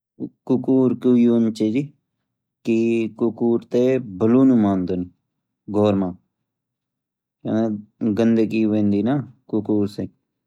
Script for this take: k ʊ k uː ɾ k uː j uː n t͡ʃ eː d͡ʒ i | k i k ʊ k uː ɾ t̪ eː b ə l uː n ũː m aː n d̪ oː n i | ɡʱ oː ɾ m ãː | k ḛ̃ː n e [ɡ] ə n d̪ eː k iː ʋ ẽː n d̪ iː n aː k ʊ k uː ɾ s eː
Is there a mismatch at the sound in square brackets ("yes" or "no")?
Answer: no